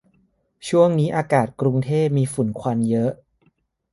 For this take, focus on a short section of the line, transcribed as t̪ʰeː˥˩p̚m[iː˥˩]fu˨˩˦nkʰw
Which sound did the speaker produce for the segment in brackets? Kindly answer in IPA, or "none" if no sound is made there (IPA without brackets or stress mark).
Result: iː˧